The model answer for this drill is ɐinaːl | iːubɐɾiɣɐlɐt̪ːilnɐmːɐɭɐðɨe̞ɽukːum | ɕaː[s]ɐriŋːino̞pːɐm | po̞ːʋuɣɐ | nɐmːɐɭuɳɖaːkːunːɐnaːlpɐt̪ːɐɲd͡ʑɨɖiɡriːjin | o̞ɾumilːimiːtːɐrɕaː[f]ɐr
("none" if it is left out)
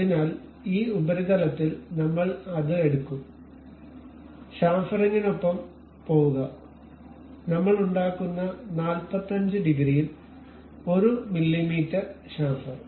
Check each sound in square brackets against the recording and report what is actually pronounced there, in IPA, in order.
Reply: f, f

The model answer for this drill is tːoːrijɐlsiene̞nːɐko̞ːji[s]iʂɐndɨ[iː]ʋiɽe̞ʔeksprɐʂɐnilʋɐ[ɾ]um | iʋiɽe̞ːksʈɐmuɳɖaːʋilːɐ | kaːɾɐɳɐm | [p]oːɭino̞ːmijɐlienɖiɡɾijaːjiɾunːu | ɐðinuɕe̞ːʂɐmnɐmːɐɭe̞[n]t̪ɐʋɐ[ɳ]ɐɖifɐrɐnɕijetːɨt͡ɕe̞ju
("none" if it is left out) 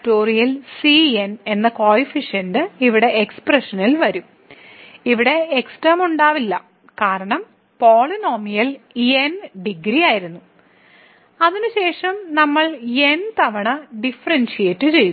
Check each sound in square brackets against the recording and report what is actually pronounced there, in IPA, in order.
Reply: f, i, ɾ, p, n, ɳ

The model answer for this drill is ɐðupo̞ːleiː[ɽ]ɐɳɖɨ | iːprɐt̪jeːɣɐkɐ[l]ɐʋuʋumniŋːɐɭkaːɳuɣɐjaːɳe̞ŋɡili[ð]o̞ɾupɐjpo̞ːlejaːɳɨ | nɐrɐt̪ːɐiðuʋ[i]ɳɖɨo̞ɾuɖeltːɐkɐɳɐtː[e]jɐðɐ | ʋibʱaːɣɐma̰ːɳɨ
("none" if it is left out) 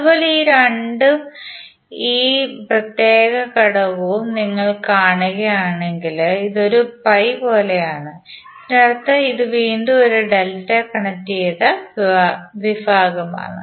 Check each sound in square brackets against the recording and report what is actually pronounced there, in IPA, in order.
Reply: ɾ, ɽ, ð, iː, i

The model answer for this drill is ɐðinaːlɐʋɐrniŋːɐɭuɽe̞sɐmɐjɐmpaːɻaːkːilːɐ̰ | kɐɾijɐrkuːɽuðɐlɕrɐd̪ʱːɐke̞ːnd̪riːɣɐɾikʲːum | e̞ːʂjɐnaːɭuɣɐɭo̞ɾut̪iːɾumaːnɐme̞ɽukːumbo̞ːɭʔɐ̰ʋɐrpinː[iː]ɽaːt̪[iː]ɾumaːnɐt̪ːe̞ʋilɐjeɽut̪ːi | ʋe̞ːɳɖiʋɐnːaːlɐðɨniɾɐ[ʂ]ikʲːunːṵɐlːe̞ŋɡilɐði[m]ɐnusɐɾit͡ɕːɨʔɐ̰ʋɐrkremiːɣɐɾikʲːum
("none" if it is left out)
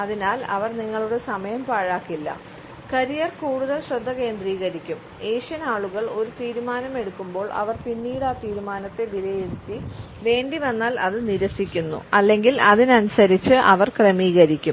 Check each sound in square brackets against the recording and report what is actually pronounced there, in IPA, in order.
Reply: iː, iː, s, n

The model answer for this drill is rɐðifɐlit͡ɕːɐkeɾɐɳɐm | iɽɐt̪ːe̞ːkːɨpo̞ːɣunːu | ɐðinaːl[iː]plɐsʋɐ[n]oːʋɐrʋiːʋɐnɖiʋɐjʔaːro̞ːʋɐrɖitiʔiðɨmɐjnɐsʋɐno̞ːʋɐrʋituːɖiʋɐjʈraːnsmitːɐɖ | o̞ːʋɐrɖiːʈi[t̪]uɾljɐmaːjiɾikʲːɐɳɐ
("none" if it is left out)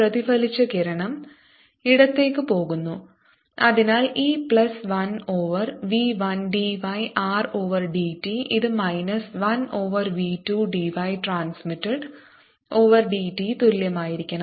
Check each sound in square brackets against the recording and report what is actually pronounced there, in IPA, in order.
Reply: iː, n, t̪

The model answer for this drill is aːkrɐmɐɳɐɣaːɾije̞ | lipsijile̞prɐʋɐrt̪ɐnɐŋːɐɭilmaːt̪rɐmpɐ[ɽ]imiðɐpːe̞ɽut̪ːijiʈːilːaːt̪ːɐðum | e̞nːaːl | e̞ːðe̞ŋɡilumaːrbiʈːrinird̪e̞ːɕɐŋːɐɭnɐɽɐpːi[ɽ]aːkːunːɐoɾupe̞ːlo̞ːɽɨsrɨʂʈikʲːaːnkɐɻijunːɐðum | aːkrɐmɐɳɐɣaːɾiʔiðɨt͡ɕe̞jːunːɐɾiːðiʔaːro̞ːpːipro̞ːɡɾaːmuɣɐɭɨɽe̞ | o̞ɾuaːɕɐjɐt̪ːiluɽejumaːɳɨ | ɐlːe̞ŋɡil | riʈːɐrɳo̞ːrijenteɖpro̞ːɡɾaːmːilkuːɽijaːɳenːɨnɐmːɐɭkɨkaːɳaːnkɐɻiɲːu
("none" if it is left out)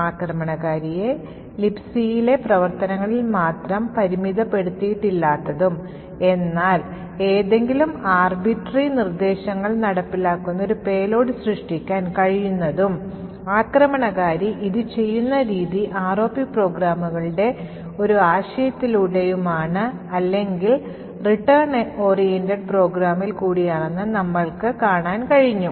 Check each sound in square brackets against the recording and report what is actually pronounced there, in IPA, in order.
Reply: ɾ, l

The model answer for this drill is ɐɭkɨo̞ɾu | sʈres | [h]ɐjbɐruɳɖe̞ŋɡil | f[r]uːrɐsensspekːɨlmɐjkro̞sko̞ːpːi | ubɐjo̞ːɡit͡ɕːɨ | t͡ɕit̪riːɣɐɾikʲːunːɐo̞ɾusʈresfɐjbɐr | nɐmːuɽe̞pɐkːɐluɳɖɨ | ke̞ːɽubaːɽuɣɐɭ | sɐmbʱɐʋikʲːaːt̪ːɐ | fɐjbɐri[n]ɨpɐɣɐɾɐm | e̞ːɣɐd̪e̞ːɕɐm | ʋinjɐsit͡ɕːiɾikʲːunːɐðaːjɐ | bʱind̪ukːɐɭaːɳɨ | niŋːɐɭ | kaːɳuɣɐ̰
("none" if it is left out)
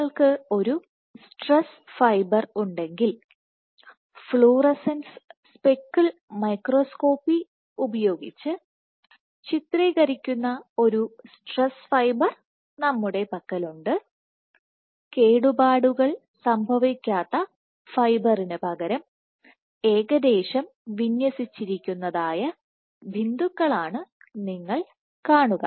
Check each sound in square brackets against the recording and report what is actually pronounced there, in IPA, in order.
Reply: f, ɭ, n

